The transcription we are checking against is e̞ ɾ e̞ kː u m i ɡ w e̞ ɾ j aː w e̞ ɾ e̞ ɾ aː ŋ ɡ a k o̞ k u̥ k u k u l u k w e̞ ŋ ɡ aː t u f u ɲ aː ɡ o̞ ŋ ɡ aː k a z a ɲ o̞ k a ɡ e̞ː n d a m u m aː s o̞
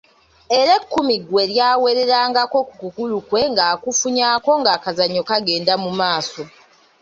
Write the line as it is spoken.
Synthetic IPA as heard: e̞ ɾ e̞ kː u m i ɡ w e̞ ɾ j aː w e̞ ɾ e̞ ɾ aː ŋ ɡ a k o̞ k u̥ k u k u l u k w e̞ ŋ ɡ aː k u f u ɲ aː k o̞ ŋ ɡ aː k a z a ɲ o̞ k a ɡ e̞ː n d a m u m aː s o̞